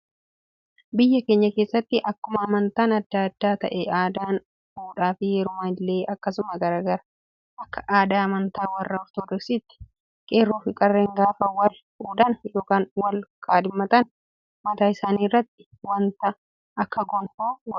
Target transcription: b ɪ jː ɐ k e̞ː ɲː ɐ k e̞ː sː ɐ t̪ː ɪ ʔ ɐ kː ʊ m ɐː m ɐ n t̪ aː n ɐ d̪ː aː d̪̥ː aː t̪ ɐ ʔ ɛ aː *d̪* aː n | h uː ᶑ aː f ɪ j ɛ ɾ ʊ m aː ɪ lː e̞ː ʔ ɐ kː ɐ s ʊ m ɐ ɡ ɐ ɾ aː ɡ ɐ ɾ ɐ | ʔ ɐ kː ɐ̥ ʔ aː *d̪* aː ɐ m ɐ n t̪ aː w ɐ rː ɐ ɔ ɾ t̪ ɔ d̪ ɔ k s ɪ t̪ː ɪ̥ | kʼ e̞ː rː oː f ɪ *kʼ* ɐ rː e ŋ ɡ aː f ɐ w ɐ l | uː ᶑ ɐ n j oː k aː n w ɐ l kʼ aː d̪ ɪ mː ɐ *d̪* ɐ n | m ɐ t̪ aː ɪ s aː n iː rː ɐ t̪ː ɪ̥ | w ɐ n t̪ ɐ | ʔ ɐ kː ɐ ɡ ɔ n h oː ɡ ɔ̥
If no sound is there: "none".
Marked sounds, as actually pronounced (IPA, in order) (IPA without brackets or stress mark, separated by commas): d̪, d̪, kʼ, t̪